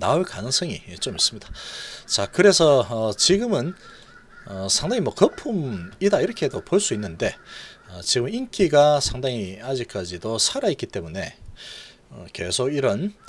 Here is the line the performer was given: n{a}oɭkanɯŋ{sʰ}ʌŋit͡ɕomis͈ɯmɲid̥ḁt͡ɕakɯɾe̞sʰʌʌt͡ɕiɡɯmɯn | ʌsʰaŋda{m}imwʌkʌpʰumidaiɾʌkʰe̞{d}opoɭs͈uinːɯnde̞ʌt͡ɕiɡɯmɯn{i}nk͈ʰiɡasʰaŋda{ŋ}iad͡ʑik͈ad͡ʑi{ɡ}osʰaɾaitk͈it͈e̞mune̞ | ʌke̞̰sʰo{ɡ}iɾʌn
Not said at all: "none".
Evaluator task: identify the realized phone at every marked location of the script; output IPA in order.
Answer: a, sʰ, ŋ, d, i, ŋ, d, ɡ

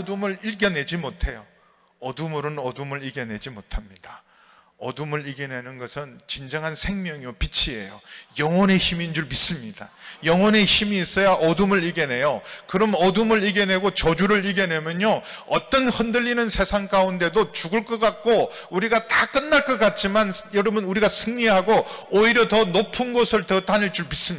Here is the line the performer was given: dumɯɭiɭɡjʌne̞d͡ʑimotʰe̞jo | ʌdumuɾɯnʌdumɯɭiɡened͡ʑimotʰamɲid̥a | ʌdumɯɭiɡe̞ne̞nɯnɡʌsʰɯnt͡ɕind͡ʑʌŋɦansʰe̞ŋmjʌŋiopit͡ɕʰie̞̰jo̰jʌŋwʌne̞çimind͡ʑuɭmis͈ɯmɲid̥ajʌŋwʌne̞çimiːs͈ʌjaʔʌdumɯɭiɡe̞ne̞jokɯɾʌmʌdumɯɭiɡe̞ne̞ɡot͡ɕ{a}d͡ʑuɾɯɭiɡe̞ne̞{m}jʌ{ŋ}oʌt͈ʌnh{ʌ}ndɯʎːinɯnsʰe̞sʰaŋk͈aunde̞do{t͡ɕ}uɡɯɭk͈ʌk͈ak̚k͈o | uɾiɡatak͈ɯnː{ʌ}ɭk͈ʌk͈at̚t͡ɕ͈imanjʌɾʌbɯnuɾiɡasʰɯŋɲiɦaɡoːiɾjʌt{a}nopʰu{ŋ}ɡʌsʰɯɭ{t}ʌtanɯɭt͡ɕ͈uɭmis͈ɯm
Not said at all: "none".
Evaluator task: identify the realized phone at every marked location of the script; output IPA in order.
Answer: ʌ, m, ɲ, ʌ, t͡ɕ, a, ʌ, n, t

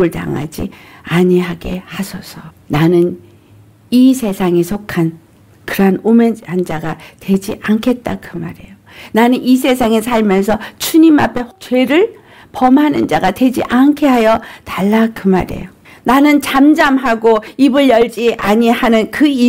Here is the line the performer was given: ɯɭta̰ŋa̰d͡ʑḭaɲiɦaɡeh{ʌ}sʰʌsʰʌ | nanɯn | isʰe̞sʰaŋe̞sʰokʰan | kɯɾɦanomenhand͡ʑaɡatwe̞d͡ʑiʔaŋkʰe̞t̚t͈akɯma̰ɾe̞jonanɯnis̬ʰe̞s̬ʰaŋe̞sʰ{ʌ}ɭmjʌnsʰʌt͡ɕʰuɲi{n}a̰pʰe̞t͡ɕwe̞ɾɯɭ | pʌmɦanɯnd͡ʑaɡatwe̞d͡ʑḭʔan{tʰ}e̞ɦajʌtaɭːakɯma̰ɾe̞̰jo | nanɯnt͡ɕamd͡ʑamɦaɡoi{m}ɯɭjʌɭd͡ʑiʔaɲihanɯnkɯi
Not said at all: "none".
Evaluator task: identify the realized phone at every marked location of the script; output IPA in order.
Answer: a, a, m, kʰ, b

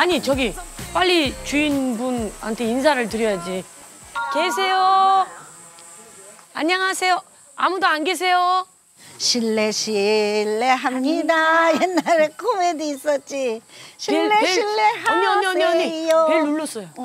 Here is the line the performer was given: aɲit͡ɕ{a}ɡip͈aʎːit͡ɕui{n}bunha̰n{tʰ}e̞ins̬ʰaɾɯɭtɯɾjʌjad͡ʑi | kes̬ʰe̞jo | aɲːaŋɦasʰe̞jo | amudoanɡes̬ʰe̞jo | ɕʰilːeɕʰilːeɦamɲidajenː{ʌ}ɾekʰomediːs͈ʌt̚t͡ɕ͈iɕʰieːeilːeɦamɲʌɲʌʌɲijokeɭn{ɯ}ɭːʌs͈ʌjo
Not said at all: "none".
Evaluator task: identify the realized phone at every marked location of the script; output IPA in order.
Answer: ʌ, n, tʰ, a, u

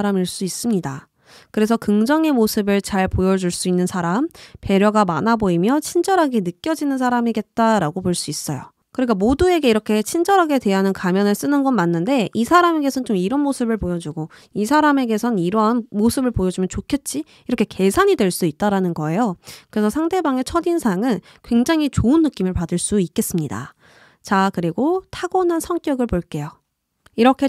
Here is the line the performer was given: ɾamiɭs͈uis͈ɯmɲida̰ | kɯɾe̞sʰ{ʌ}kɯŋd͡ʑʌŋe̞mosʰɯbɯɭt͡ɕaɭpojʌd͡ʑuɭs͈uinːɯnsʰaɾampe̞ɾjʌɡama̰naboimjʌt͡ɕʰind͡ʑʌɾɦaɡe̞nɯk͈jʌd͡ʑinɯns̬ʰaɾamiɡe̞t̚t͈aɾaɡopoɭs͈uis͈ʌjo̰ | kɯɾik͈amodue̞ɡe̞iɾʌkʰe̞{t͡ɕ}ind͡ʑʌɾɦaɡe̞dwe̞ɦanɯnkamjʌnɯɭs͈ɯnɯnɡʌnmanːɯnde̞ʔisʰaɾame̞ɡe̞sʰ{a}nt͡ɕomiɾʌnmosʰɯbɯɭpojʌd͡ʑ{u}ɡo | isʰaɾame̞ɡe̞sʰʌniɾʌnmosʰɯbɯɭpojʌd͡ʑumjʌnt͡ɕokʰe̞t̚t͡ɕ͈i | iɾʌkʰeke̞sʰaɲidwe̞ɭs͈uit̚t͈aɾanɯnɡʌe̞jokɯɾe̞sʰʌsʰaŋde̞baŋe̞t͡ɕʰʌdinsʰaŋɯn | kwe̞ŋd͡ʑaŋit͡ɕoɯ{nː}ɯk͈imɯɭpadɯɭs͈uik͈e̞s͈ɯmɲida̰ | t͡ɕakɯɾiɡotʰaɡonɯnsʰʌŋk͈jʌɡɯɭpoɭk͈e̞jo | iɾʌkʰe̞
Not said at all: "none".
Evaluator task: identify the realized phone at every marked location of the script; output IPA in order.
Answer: ʌ, t͡ɕʰ, ʌ, u, nː

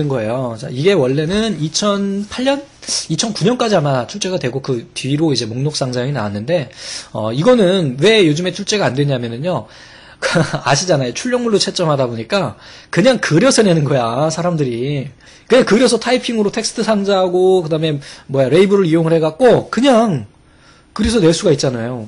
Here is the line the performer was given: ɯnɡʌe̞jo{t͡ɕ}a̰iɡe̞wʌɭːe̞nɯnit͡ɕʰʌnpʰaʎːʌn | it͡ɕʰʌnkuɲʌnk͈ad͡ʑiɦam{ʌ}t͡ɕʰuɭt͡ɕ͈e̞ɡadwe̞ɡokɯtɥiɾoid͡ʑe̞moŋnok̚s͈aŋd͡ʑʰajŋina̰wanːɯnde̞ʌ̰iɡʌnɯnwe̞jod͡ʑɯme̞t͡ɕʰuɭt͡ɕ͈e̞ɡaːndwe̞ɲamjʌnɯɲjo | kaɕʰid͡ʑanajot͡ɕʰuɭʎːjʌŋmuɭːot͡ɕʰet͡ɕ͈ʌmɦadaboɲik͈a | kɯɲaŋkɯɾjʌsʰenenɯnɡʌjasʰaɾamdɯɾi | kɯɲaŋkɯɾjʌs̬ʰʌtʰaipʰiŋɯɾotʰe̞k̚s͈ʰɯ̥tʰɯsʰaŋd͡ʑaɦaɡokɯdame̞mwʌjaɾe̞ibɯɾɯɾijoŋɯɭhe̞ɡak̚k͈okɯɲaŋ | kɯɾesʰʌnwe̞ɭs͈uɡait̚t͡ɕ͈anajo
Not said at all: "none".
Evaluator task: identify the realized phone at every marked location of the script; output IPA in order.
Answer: t͡ɕ, a

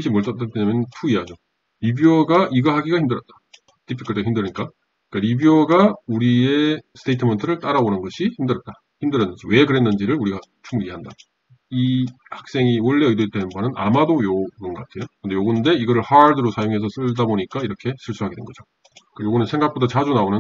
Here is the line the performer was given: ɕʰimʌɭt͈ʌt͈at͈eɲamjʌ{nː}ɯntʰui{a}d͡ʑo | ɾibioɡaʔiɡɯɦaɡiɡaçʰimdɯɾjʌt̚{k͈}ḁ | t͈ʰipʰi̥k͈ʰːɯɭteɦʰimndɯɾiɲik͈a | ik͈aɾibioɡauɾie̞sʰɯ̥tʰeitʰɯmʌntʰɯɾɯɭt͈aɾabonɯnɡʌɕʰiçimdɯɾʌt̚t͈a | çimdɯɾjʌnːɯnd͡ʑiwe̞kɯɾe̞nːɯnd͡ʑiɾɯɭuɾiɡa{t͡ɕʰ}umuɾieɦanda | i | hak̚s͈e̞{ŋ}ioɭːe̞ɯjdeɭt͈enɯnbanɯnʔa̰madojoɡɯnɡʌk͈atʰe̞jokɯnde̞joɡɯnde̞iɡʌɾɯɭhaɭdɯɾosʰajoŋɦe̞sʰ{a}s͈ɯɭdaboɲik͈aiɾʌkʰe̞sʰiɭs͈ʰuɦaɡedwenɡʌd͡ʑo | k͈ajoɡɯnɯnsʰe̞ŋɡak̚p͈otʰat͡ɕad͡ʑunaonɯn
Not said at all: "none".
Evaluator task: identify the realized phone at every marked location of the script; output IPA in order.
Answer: n, a, t͈, t͡ɕʰ, ŋ, ʌ

